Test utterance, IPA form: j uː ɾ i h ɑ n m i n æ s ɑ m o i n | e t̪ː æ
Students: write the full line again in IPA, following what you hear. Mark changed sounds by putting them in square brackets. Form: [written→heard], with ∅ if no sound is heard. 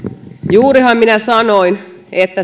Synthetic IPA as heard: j uː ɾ i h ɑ [n→m] m i n æ s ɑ [m→n] o i n | e t̪ː æ